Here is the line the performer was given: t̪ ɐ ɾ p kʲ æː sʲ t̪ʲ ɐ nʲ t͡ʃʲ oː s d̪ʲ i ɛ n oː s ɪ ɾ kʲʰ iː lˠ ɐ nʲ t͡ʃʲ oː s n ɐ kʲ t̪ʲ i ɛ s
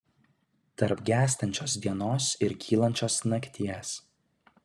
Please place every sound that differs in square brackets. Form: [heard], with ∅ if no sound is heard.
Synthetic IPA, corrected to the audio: t̪ ɐ ɾ p [ɡʲ] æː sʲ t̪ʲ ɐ nʲ t͡ʃʲ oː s d̪ʲ i ɛ n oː s ɪ ɾ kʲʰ iː lˠ ɐ nʲ t͡ʃʲ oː s n ɐ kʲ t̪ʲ i ɛ s